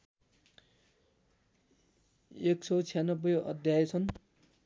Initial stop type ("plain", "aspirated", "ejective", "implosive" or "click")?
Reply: plain